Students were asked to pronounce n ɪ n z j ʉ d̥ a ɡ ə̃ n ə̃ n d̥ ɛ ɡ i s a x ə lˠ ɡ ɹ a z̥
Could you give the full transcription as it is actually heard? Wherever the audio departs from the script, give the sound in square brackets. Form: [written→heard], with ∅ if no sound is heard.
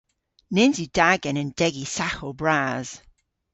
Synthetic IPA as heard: n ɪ n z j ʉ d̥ a ɡ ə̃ n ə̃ n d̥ ɛ ɡ i s a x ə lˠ [ɡ→b] ɹ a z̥